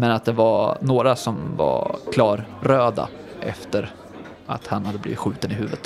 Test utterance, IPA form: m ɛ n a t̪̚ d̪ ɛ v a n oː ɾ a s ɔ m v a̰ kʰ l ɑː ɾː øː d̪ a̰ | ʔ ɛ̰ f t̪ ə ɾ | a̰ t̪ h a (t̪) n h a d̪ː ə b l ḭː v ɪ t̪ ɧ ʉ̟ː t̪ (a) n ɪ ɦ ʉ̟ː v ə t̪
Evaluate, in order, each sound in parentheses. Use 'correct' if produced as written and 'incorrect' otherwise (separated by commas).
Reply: incorrect, incorrect